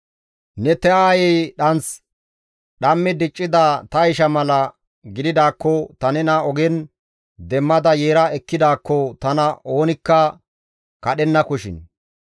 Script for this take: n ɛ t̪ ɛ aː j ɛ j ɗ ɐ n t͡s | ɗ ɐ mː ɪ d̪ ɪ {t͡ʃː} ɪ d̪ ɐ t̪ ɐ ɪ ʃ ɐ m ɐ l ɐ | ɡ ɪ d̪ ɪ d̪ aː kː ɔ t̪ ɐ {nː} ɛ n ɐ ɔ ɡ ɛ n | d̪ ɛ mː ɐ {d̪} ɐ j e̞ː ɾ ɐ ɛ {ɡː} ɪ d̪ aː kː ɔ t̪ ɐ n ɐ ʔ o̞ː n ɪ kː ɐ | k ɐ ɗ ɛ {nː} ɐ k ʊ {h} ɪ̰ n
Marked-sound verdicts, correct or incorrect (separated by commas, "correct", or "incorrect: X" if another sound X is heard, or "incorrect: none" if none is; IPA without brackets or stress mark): incorrect: t͡ʃʼː, incorrect: n, correct, incorrect: kː, correct, incorrect: ʃ